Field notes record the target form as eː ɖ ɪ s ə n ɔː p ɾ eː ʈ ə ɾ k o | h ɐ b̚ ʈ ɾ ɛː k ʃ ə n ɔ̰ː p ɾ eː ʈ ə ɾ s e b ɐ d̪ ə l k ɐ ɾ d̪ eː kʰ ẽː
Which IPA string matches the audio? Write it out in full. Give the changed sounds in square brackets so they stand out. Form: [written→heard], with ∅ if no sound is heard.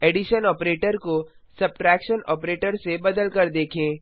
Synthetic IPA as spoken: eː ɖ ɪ [s→ʃ] ə n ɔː p ɾ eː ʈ ə ɾ k o | [h→s] ɐ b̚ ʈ ɾ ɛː k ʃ ə n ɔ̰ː p ɾ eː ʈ ə ɾ s e b ɐ d̪ ə l k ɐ ɾ d̪ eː kʰ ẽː